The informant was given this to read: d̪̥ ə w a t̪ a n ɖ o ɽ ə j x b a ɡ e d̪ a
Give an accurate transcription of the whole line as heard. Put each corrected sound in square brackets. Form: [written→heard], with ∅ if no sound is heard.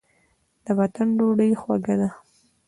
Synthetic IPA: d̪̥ ə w a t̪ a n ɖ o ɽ ə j x [b→w] a ɡ [e→a] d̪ a